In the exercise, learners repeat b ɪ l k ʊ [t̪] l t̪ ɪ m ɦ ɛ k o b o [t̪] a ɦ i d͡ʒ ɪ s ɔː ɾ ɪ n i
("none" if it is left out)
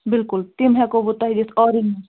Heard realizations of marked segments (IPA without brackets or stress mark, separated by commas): none, t̪